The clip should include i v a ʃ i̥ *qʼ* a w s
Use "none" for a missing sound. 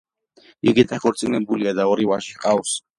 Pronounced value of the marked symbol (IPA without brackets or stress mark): qʼ